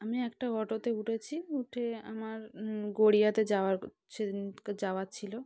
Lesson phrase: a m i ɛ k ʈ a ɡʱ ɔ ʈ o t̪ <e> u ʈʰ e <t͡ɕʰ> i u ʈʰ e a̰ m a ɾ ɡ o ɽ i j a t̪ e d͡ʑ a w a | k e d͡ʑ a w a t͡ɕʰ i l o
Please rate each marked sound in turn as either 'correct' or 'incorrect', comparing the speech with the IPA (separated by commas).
correct, correct